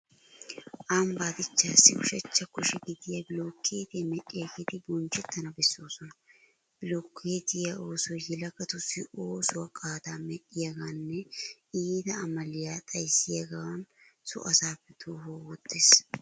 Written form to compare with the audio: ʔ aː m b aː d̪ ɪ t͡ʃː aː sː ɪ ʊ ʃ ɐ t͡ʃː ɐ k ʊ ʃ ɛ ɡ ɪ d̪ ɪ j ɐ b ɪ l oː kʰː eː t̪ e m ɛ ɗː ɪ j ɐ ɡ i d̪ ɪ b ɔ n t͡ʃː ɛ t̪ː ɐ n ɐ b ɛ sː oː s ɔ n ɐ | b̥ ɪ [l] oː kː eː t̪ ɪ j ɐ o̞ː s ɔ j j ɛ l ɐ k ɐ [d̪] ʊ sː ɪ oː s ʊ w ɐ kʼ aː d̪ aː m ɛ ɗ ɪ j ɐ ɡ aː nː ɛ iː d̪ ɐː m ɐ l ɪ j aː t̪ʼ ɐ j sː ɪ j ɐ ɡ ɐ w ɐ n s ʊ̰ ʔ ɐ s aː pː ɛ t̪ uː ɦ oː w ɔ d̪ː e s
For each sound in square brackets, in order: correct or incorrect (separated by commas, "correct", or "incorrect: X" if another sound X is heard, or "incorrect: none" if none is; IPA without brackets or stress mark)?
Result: correct, incorrect: t̪